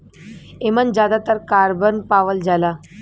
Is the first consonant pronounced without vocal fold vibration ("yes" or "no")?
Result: no